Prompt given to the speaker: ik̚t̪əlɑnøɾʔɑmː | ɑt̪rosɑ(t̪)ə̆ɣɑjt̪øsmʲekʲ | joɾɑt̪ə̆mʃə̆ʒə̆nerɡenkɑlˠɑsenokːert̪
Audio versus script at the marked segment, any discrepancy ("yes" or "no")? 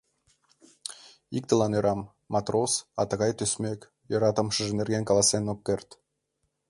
no